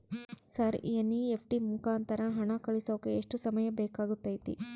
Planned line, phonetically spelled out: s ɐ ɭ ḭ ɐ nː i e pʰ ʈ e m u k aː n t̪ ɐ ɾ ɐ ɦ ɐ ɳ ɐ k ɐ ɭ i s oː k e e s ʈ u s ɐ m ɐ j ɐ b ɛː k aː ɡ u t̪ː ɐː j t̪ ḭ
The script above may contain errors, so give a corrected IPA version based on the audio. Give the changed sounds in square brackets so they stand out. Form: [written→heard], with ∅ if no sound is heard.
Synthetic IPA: s ɐ [ɭ→ɾ] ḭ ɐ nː i e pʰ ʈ [e→i] m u k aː n t̪ ɐ ɾ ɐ ɦ ɐ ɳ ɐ k ɐ ɭ i s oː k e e [s→ʂ] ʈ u s ɐ m ɐ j ɐ b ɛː k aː ɡ u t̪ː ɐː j t̪ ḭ